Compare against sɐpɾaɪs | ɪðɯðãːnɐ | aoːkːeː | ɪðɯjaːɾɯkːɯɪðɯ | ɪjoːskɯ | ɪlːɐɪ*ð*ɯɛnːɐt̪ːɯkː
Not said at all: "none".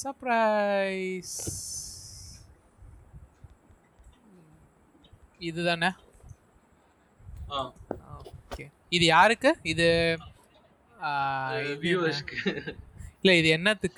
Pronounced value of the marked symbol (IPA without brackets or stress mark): ð